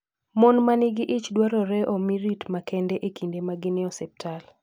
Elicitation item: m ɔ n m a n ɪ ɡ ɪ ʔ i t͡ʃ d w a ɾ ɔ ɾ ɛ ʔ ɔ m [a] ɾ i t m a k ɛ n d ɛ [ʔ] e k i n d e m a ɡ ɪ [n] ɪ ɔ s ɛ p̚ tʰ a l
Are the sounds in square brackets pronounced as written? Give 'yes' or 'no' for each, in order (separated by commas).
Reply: no, yes, yes